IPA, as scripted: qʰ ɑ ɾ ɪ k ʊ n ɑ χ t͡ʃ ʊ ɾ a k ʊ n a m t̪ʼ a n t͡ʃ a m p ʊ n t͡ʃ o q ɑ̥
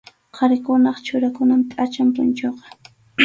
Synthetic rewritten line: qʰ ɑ ɾ ɪ k ʊ n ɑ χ t͡ʃ ʊ ɾ a k ʊ n a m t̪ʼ a t͡ʃ a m p ʊ n t͡ʃ o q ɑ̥